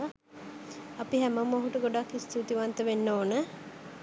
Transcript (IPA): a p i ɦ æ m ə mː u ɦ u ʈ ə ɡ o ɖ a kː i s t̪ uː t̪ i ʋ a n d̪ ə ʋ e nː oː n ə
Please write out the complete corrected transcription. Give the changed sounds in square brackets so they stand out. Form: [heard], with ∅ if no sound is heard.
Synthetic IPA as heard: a p i ɦ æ m ə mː [o] ɦ u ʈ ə ɡ o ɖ a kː i s t̪ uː t̪ i ʋ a n [t̪] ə ʋ e nː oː n ə